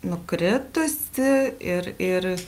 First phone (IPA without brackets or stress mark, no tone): n